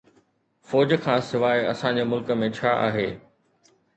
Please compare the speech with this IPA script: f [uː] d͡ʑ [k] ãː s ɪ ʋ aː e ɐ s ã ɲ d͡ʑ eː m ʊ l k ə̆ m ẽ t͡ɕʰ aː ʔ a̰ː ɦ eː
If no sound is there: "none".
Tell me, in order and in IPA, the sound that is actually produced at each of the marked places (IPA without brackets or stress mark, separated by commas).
ɔː, kʰ